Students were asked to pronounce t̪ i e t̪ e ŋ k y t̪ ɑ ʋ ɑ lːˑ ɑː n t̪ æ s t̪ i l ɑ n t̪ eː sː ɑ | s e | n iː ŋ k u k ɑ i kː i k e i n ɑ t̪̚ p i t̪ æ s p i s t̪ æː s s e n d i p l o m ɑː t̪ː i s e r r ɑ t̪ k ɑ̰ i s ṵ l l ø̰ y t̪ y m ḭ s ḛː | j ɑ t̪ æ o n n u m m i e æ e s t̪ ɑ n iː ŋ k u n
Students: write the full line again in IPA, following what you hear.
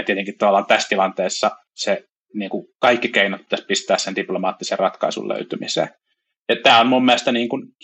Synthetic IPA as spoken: t̪ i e t̪ e ŋ k i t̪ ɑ ʋ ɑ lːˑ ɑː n t̪ æ s t̪ i l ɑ n t̪ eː sː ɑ | s e | n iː ŋ k u k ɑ i kː i k e i n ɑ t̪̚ p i t̪ æ s p i s t̪ æː s s e n d i p l o m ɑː t̪ː i s e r r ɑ t̪ k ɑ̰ i s ṵ l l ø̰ y t̪ y m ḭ s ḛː | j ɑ t̪ æː o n m u m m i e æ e s t̪ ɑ n iː ŋ k u n